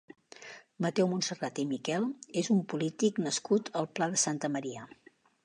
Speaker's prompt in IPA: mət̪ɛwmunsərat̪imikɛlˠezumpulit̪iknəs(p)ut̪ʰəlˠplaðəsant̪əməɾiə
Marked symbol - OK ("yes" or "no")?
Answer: no